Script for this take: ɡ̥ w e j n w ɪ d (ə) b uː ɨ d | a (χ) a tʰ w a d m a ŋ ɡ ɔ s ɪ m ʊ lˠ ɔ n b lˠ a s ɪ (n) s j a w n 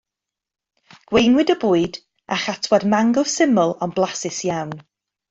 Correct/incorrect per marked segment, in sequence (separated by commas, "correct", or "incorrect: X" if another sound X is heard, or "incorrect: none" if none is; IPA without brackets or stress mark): correct, correct, incorrect: none